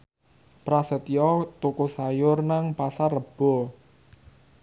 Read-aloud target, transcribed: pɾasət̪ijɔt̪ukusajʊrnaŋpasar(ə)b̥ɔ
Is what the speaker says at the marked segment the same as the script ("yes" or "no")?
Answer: yes